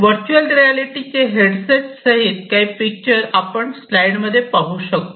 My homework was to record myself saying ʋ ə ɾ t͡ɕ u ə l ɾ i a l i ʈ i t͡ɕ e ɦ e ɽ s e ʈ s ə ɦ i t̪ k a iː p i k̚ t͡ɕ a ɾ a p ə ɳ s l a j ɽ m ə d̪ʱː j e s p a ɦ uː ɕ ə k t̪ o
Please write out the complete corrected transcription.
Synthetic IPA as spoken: ʋ ə ɾ t͡ɕ u ə l ɾ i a l i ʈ i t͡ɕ e ɦ e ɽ s e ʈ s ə ɦ i t̪ k a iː p i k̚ t͡ɕ ə ɾ a p ə ɳ s l a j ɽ m ə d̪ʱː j e p a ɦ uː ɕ ə k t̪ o